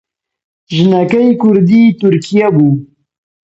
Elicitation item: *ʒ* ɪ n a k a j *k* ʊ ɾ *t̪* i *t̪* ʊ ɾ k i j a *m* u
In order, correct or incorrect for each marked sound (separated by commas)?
correct, correct, incorrect, correct, incorrect